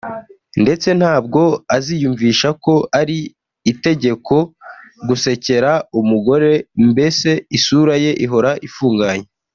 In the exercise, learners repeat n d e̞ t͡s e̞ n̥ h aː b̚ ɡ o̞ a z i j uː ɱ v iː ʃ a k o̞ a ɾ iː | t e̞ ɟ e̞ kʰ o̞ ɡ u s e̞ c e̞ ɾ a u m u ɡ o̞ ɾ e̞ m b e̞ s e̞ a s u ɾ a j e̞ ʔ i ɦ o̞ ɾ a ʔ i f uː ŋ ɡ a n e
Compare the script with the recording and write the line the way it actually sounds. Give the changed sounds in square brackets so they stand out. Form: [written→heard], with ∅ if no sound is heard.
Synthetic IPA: n d e̞ t͡s e̞ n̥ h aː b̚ ɡ o̞ a z i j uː ɱ v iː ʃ a k o̞ a ɾ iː | t e̞ ɟ e̞ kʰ o̞ ɡ u s e̞ c e̞ ɾ a u m u ɡ o̞ ɾ e̞ m b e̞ s e̞ [a→i] s u ɾ a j e̞ ʔ i ɦ o̞ ɾ a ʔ i f uː ŋ ɡ a [n→ɲ] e